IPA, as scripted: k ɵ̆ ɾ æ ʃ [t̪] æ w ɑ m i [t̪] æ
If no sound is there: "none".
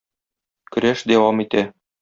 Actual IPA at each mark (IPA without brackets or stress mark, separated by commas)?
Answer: d̪, t̪